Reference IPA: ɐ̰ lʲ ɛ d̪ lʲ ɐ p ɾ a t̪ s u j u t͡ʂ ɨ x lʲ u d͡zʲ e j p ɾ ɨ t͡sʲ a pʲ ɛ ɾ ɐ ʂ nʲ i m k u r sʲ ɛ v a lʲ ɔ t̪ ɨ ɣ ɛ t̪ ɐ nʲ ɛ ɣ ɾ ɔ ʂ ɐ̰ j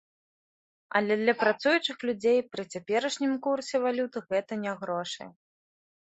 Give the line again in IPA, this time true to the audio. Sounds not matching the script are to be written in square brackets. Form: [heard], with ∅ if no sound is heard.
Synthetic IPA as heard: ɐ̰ lʲ ɛ d̪ lʲ ɐ p ɾ a t̪ s u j u t͡ʂ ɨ x lʲ u d͡zʲ e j p ɾ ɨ t͡sʲ a pʲ ɛ ɾ ɐ ʂ nʲ i m k u r sʲ ɛ v a lʲ [u] t̪ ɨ ɣ ɛ t̪ ɐ nʲ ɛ ɣ ɾ ɔ ʂ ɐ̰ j

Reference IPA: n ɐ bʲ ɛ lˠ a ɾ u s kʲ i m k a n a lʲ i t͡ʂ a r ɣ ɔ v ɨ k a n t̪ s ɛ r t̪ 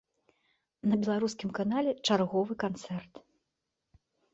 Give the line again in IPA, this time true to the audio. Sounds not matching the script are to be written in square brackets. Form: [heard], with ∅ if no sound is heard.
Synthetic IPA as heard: n ɐ bʲ ɛ lˠ a ɾ u s kʲ i m k a n a lʲ [ɛ] t͡ʂ a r ɣ ɔ v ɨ k a n t̪ s ɛ r t̪

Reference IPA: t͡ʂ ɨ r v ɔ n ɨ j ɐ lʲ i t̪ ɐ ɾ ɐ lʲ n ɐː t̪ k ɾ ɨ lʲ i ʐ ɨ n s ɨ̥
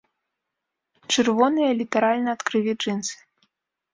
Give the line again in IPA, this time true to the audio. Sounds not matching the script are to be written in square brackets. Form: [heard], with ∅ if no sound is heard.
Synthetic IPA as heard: t͡ʂ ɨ r v ɔ n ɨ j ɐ lʲ i t̪ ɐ ɾ [a] lʲ n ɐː t̪ k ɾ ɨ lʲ i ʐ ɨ n s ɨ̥

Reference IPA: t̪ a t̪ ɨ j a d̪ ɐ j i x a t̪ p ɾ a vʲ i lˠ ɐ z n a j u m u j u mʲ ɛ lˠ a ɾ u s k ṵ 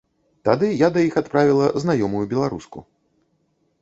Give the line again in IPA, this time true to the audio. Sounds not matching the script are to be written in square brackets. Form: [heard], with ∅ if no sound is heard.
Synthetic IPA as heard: t̪ a [d̪] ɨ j a d̪ ɐ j i x a t̪ p ɾ a vʲ i lˠ ɐ z n a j [ɔ] m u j u [bʲ] ɛ lˠ a ɾ u s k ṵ

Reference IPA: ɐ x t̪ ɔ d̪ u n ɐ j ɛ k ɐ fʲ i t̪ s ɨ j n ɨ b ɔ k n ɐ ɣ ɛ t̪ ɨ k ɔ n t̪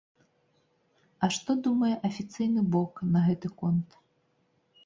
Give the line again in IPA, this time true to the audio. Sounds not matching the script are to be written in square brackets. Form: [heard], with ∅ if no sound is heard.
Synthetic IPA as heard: ɐ [ʂ] t̪ ɔ d̪ u [m] ɐ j ɛ [ʔ] ɐ fʲ i t̪ s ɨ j n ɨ b ɔ k n ɐ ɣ ɛ t̪ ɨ k ɔ n t̪

